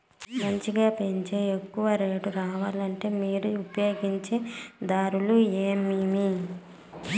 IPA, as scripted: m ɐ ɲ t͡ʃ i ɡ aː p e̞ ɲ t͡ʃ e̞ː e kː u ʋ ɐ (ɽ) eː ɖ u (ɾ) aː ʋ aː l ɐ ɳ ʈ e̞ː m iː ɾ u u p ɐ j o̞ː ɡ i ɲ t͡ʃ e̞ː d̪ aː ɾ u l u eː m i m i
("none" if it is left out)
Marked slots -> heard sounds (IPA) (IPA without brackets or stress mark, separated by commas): ɾ, ɾ